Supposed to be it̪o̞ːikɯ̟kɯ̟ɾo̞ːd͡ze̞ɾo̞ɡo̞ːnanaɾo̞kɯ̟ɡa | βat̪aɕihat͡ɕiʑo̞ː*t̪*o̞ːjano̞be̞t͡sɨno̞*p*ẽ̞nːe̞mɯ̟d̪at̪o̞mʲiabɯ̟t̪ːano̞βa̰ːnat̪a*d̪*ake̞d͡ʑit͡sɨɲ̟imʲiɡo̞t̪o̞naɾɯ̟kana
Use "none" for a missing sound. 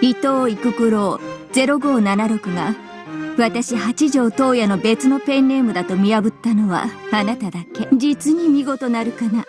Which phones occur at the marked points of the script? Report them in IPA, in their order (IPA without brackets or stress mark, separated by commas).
t̪, p, d̪